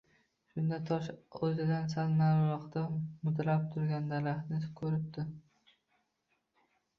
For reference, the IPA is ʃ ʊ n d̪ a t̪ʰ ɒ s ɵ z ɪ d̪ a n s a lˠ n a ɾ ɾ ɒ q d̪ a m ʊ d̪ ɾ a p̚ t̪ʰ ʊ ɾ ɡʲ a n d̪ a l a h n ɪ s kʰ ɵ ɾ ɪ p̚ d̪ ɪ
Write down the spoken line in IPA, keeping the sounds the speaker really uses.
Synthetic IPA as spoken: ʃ ʊ n d̪ a t̪ʰ ɒ ʃ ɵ z ɪ d̪ a n s a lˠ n a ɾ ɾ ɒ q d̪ a m ʊ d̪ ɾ a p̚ t̪ʰ ʊ ɾ ɡʲ a n d̪ a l a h n ɪ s kʰ ɵ ɾ ɪ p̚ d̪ ɪ